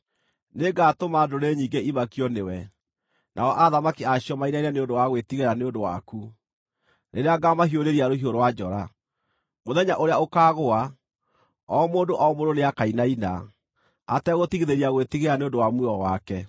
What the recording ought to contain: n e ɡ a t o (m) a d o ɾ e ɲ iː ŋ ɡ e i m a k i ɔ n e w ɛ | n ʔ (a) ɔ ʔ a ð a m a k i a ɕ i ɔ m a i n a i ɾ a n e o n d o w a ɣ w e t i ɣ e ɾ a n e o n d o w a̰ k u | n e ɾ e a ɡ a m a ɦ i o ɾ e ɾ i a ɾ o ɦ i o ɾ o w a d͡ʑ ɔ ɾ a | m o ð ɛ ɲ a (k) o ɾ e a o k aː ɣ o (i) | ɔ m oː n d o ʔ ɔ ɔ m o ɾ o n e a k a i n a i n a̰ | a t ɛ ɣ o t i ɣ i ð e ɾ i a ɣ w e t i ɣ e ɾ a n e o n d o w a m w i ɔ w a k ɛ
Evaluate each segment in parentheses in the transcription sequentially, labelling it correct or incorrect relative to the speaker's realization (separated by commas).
correct, correct, incorrect, incorrect